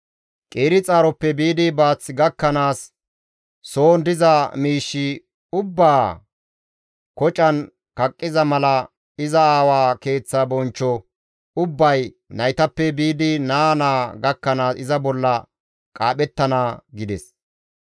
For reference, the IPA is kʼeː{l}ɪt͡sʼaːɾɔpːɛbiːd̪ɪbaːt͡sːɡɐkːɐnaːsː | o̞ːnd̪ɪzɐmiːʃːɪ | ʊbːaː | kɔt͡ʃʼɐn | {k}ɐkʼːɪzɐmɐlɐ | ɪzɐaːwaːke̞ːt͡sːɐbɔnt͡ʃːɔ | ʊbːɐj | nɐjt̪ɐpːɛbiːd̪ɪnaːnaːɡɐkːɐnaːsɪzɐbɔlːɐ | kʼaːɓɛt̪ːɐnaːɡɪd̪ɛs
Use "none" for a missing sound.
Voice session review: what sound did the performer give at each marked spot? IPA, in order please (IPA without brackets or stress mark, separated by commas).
ɾ, k